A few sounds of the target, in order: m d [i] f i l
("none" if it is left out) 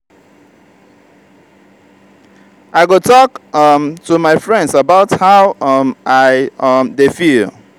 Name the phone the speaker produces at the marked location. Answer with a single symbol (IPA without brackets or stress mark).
e